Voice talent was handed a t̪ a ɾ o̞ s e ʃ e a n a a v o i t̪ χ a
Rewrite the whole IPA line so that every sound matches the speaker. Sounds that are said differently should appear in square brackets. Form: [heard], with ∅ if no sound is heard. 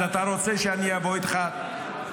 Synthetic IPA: a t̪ a ɾ o̞ [t͡s] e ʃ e a n [i] a v o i t̪ χ a